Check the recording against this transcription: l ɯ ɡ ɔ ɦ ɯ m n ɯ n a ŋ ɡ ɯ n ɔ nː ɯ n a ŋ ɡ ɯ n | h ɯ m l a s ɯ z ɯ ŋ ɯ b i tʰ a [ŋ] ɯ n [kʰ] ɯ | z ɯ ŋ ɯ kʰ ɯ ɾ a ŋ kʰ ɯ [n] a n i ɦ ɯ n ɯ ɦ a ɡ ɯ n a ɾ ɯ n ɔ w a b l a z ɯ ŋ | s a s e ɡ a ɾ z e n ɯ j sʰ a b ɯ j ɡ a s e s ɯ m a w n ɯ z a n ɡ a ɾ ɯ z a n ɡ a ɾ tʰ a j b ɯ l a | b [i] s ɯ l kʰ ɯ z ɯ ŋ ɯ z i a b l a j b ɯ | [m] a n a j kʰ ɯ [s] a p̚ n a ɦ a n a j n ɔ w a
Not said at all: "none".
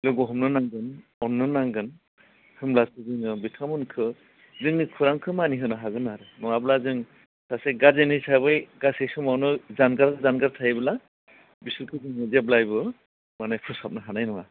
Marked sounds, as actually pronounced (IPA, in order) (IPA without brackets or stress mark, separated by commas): m, kʰ, m, i, m, s